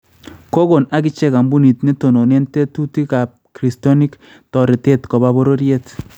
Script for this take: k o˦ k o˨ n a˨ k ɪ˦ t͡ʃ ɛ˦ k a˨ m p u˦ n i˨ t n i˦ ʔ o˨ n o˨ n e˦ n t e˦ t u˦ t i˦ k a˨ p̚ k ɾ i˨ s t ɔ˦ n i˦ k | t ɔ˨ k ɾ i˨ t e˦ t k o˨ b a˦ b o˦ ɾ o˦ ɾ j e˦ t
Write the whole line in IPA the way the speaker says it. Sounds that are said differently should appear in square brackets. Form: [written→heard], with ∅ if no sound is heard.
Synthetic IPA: k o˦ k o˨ n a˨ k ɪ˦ t͡ʃ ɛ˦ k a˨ m [p→b] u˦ n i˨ t n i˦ [ʔ→t] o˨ n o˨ n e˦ n t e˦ t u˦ t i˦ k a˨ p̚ k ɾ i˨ s t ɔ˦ n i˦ k | t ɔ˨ [k→∅] ɾ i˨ t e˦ t k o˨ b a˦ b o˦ ɾ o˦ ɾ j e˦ t